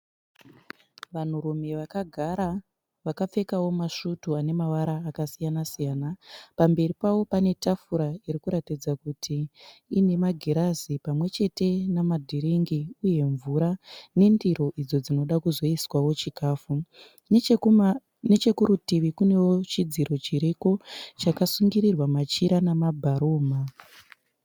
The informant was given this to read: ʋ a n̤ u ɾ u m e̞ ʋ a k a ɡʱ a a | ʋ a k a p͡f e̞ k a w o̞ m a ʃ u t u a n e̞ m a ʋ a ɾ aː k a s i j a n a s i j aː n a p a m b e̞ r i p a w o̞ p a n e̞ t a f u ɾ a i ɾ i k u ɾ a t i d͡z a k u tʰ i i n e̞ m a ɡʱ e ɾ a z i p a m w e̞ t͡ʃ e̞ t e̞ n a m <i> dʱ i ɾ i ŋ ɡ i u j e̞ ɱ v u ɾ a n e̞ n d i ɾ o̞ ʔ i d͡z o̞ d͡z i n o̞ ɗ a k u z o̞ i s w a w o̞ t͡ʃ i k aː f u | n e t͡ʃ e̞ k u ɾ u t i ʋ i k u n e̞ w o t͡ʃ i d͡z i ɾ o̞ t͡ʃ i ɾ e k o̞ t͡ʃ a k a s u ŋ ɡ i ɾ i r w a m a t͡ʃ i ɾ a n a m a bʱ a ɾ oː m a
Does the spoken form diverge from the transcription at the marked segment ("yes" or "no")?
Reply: yes